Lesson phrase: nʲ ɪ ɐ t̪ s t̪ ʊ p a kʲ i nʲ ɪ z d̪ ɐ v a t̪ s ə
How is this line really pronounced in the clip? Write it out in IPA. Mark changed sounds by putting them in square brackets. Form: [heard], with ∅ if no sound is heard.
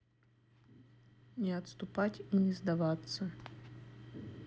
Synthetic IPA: nʲ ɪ ɐ t̪ s t̪ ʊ p a [tʲ] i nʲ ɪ z d̪ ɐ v a t̪ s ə